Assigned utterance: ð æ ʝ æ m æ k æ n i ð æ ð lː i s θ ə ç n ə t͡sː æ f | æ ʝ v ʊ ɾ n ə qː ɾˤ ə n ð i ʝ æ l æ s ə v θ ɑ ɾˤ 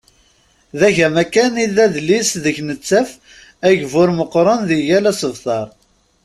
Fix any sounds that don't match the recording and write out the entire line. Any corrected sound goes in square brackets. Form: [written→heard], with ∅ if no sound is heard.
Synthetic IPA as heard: ð æ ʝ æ m æ k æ n i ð æ ð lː i s [θ→ð] ə ç n ə t͡sː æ f | æ ʝ v ʊ ɾ [n→m] ə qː ɾˤ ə n ð i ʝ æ l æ s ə v θ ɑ ɾˤ